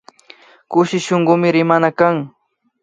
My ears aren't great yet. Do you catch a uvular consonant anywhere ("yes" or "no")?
yes